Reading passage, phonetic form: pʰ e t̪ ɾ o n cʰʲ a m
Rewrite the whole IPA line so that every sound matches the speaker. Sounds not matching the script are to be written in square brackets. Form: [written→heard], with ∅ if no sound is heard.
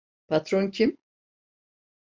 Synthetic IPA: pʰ [e→a] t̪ ɾ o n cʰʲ [a→i] m